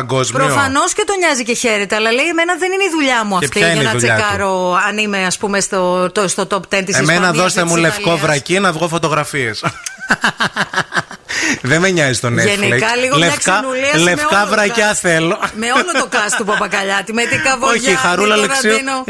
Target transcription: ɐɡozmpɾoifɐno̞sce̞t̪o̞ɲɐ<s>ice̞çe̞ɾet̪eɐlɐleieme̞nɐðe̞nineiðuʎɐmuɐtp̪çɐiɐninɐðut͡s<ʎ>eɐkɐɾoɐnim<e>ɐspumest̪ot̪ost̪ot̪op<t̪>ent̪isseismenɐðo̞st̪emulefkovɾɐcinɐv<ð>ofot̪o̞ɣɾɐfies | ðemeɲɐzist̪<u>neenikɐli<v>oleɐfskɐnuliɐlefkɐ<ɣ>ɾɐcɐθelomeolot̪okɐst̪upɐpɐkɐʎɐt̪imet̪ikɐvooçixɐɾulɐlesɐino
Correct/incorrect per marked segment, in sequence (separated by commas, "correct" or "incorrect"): incorrect, correct, correct, correct, incorrect, incorrect, incorrect, incorrect